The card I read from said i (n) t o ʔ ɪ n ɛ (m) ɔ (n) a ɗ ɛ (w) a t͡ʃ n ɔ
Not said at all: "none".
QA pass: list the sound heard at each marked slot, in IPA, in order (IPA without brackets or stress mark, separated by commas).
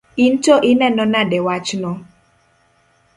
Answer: n, n, n, w